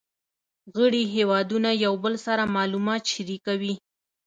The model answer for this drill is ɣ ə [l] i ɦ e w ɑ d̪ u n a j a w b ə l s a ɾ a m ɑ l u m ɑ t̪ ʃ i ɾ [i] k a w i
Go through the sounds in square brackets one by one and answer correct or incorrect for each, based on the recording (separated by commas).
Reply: incorrect, correct